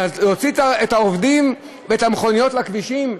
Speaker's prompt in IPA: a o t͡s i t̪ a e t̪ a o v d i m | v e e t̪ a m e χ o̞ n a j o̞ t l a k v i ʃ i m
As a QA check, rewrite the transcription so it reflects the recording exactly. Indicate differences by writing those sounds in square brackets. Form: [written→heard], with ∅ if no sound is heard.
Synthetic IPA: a o t͡s i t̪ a e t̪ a o v d i m | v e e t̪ a m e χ o̞ n [a→i] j o̞ t l a k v i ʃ i m